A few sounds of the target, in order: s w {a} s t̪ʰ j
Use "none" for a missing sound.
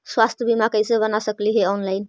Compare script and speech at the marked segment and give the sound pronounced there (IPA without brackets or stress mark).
a